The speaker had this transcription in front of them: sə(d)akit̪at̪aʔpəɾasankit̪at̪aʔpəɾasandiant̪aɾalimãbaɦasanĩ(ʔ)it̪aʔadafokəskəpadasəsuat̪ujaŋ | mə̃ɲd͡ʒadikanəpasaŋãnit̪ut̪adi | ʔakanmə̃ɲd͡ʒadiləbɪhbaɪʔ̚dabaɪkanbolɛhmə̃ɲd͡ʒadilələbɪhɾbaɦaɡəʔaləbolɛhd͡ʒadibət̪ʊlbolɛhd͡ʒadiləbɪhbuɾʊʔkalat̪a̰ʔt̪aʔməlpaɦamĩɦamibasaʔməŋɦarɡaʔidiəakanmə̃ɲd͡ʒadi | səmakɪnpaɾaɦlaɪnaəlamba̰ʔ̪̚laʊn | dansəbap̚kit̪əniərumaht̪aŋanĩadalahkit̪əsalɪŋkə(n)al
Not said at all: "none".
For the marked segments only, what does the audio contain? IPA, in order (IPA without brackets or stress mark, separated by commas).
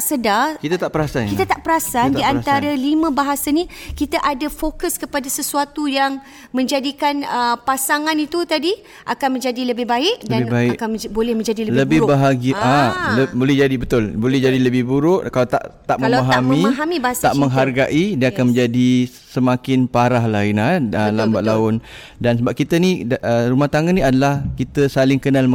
d, k, n